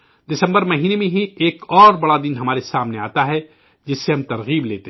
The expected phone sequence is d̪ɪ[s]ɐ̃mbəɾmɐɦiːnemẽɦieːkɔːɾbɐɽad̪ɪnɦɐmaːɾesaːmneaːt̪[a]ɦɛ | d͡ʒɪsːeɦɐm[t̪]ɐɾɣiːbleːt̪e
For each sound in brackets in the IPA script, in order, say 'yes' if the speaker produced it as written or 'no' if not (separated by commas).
yes, yes, yes